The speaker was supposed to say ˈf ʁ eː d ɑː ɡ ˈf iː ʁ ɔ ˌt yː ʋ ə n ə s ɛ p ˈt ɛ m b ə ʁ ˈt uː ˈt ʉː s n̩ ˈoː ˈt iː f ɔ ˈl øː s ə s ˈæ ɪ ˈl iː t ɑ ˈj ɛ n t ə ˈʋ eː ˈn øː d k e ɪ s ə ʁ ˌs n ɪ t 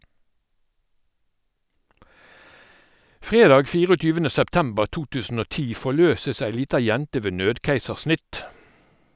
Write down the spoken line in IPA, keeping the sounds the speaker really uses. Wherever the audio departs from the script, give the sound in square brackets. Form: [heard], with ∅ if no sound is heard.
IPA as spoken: ˈf ʁ eː d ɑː ɡ ˈf iː ʁ ɔ ˌt yː ʋ ə n ə s ɛ p ˈt ɛ m b ə ʁ ˈt uː ˈt ʉː s n̩ ˈoː ˈt iː f ɔ ˈl øː s ə s ˈæ ɪ ˈl iː t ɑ ˈj ɛ n t ə ˈʋ eː ˈn øː d k [æ] ɪ s ə ʁ ˌs n ɪ t